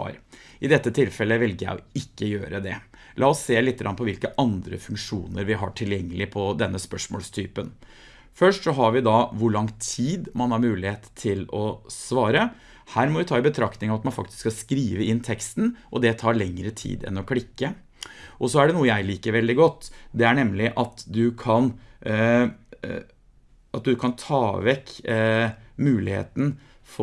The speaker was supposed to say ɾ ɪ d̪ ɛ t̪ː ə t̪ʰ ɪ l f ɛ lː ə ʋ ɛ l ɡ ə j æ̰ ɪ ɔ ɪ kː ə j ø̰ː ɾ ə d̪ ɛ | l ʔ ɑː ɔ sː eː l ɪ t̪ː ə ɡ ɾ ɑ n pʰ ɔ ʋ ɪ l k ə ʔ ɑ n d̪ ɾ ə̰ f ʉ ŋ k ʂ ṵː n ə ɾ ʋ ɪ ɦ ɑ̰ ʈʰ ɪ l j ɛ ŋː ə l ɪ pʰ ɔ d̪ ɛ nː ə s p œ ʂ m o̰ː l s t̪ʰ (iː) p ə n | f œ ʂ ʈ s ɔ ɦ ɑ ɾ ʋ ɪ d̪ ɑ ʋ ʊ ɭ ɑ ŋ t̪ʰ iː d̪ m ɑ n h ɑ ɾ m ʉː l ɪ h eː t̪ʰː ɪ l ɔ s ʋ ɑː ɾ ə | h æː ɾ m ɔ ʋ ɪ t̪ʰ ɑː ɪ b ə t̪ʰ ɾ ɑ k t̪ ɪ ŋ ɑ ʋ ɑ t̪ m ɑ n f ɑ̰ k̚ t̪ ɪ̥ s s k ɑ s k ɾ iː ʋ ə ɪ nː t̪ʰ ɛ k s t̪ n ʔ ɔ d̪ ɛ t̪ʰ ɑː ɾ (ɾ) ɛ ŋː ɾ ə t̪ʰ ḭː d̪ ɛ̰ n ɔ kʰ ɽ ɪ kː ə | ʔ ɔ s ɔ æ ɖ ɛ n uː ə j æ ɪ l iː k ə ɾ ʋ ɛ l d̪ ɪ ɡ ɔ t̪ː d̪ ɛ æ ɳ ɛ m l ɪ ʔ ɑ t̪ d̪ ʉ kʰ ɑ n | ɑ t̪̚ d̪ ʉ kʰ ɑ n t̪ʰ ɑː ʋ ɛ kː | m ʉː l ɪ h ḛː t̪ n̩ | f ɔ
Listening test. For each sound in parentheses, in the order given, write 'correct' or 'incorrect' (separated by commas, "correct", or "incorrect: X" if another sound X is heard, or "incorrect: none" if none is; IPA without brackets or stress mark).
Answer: incorrect: yː, incorrect: ɭ